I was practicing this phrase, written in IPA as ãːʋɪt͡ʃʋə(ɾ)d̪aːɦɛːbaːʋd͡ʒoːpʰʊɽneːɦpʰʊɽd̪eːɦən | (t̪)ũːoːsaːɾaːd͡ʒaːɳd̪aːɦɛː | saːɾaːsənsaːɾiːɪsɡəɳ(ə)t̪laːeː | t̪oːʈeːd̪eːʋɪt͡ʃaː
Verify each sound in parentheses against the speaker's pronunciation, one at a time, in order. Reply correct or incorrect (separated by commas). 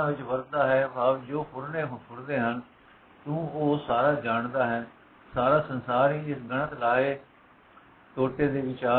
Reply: correct, correct, correct